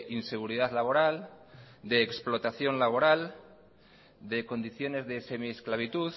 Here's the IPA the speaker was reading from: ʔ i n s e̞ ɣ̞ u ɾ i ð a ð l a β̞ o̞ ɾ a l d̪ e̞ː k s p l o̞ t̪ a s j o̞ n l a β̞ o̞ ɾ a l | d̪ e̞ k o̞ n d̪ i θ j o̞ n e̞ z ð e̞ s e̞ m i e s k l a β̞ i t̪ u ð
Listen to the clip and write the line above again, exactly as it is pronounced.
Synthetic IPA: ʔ i n s e̞ ɣ̞ u ɾ i ð a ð l a β̞ o̞ ɾ a l d̪ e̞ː k s p l o̞ t̪ a θ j o̞ n l a β̞ o̞ ɾ a l | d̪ e̞ k o̞ n d̪ i θ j o̞ n e̞ z ð e̞ s e̞ m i e s k l a β̞ i t̪ u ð